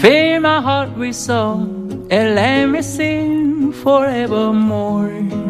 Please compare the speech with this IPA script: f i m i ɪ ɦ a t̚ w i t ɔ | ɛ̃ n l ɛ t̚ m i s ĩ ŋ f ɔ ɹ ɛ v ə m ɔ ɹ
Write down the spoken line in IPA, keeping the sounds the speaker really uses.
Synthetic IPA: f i m a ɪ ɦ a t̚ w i s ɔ | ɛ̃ n l ɛ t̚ m i s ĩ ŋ f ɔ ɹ ɛ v ə m ɔ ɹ